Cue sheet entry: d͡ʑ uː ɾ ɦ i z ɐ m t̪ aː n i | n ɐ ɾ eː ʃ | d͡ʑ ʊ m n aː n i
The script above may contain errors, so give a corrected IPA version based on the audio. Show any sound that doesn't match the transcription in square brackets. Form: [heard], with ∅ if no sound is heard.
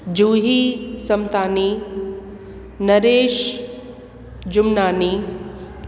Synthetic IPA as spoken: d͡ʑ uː [∅] ɦ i [s] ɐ m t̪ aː n i | n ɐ ɾ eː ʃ | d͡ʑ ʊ m n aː n i